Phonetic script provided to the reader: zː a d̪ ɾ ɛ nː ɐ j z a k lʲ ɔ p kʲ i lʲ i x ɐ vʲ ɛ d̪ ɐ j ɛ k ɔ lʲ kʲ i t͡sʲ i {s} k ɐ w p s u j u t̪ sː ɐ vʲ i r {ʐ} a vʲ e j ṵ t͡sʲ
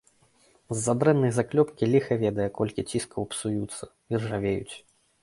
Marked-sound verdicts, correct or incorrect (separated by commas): correct, correct